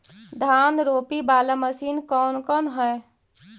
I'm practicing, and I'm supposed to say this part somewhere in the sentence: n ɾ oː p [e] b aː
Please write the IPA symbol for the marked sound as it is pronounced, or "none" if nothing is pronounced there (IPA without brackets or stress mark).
i